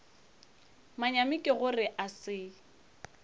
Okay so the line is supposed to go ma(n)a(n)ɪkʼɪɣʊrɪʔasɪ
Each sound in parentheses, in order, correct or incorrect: incorrect: ɲ, incorrect: m

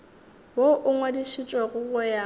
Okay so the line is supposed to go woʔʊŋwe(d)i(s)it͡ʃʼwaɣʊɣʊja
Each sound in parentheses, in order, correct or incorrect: correct, incorrect: ʃ

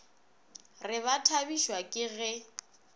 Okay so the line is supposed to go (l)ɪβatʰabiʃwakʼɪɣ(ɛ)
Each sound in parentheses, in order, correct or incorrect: incorrect: r, correct

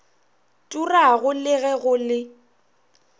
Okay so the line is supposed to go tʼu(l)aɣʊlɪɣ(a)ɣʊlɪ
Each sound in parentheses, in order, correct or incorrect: incorrect: r, incorrect: ɛ

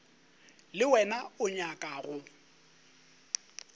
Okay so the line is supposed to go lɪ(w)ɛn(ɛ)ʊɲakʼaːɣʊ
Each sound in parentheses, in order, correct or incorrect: correct, incorrect: a

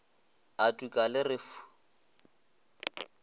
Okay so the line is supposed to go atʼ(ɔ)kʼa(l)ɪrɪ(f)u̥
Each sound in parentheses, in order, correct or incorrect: incorrect: u, correct, correct

